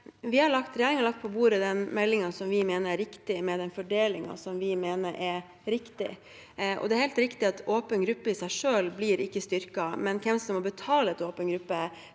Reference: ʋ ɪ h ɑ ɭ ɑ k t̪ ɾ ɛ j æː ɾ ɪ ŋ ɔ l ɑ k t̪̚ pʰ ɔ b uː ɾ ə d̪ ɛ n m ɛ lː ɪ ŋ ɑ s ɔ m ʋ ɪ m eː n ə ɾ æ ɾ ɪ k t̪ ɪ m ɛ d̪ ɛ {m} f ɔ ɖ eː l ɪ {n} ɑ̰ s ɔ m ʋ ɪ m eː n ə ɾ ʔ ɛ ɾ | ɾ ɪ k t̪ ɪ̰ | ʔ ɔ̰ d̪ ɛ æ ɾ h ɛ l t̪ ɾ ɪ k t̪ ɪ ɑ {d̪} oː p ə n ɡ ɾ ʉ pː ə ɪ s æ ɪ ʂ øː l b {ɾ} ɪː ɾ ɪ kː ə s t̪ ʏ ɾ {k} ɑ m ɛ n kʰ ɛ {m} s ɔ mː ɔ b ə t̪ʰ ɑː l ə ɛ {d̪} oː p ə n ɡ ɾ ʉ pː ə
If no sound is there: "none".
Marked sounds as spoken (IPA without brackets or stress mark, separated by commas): n, ŋ, t̪, l, k, m, t̪